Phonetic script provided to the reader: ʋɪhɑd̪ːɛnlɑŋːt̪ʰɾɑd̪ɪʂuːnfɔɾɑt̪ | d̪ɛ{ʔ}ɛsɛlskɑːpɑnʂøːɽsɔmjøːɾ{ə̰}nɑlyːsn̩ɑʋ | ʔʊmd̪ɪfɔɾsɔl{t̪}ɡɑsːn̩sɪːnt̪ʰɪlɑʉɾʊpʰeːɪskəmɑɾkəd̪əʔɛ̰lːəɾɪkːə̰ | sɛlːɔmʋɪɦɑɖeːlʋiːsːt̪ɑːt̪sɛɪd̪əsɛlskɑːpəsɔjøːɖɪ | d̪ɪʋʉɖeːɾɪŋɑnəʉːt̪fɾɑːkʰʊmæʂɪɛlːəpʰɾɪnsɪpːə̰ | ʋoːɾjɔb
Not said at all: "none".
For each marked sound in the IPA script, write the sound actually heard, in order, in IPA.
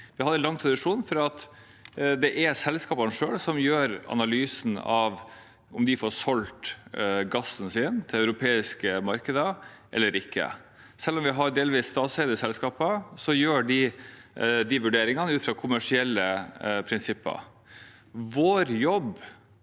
ʔ, ɑ̰, t̪

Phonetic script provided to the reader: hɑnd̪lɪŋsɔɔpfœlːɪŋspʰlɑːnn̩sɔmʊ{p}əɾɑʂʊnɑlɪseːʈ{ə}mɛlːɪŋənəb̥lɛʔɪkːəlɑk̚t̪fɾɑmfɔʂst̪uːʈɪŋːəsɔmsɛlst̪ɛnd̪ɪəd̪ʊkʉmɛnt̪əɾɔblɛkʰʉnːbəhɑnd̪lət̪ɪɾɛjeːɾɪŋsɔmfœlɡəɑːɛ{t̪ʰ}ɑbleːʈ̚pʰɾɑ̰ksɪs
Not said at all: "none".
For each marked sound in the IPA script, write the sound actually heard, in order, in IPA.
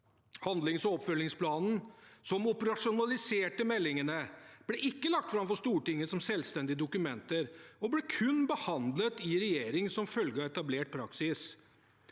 p, ə, t̪

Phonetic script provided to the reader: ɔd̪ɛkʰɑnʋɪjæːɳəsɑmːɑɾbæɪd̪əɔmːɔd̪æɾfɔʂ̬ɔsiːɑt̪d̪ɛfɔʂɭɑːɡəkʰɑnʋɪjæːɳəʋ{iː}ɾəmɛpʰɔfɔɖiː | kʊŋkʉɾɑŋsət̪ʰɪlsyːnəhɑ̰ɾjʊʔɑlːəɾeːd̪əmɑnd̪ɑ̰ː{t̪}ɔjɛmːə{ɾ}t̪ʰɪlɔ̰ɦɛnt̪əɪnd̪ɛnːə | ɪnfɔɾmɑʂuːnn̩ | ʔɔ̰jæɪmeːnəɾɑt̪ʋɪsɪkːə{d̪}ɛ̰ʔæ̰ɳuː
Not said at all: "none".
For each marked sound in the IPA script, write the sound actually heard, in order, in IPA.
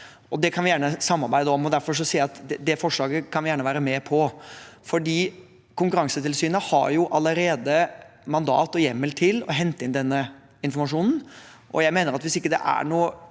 æː, t̪, l, d̪

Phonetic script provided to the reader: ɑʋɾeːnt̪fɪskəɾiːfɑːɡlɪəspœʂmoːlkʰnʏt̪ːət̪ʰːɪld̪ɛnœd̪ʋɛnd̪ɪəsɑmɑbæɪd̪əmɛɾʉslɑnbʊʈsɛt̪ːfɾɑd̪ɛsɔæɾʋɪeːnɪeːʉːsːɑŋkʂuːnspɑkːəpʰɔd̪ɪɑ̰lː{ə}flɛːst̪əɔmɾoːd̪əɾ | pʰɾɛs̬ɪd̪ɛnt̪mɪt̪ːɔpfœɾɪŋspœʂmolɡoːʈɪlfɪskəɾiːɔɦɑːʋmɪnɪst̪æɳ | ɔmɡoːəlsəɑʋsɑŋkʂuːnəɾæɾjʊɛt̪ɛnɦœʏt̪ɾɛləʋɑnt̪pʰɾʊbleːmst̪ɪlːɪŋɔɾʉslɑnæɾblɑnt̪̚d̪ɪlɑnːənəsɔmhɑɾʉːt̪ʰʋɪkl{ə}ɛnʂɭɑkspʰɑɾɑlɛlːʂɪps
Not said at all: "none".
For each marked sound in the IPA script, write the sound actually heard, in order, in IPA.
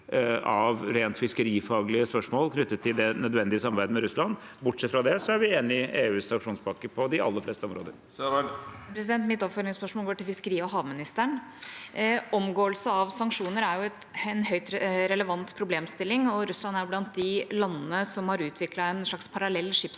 ə, ɑ

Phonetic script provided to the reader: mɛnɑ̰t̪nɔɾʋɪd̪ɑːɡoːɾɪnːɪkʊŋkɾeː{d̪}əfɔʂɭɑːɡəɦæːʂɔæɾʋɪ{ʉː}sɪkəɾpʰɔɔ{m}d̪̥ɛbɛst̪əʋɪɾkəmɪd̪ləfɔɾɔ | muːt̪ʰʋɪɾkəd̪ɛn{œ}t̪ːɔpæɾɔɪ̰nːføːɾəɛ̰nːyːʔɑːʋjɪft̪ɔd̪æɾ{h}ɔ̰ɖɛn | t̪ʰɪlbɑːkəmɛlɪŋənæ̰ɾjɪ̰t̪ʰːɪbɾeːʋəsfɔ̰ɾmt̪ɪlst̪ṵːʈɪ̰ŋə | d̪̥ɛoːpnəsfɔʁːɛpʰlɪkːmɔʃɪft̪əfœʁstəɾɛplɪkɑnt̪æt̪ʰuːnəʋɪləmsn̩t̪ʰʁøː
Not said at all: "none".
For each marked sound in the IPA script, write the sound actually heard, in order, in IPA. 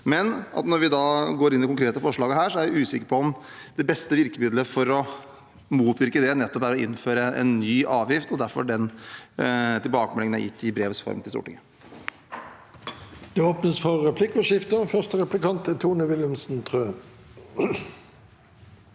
t̪, ʉː, m, ɛ, f

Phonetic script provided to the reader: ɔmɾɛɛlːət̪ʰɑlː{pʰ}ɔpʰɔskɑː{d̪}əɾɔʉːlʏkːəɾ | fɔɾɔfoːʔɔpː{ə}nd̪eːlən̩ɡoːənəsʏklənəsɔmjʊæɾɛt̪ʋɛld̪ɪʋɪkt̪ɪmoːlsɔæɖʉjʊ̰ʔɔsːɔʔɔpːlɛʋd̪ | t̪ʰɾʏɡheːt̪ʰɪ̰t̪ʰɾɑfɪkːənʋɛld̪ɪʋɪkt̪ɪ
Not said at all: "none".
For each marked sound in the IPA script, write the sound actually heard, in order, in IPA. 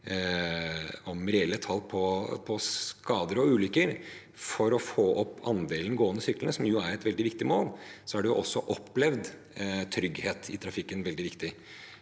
pʰ, d̪, ɑ

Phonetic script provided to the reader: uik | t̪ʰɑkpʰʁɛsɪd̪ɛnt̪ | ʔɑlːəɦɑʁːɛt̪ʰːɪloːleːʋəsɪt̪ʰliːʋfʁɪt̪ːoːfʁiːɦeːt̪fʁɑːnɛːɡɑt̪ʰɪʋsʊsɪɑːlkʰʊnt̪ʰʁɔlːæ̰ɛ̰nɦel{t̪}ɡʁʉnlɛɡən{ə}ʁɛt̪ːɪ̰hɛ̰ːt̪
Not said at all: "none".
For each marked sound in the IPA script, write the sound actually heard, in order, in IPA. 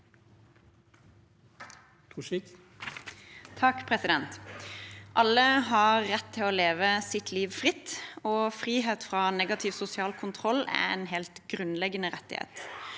t̪, ə

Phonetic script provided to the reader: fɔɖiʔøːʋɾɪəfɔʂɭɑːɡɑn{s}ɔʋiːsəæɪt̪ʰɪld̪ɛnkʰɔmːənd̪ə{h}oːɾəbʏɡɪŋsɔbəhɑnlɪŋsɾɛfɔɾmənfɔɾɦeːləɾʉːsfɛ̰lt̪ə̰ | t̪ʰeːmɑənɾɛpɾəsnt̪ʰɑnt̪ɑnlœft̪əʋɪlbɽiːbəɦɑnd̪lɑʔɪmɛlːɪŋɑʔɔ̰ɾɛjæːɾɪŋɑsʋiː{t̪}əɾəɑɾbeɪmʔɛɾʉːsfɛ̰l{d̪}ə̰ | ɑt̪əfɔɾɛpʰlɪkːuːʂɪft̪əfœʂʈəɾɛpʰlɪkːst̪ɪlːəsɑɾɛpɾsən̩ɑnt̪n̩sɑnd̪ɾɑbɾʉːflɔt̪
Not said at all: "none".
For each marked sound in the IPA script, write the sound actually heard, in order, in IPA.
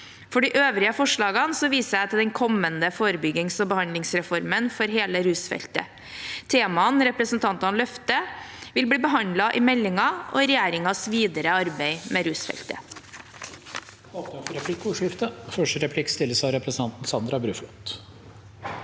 s, f, d̪, t̪

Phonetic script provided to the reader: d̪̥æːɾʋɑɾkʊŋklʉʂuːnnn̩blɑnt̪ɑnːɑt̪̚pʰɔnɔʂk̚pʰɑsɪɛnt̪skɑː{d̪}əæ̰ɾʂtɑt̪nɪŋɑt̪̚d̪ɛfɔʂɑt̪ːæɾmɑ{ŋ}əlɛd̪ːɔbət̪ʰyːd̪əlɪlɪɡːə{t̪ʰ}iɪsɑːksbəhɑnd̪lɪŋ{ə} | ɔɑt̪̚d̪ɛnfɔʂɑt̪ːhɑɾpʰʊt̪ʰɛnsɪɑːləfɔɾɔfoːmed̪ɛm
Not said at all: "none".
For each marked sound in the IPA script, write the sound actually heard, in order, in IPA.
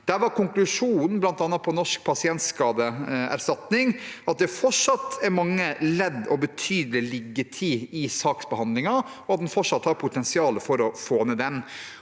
d̪, ŋː, t̪ʰ, ɑ

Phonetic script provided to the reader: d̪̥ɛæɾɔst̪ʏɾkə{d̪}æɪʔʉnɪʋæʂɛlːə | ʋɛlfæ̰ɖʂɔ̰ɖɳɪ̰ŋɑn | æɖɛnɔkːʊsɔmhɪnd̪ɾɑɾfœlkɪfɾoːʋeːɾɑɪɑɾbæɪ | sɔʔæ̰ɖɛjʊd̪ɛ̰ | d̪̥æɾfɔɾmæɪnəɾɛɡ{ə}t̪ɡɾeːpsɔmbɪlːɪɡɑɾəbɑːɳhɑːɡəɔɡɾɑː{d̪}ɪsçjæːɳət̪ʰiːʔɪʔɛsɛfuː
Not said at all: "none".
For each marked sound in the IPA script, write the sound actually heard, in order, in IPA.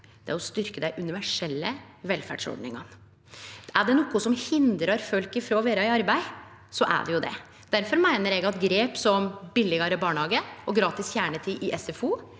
d̪, ɑ, t̪

